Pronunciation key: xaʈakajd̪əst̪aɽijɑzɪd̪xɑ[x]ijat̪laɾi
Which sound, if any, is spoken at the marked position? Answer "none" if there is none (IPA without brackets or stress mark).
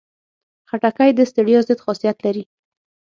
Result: s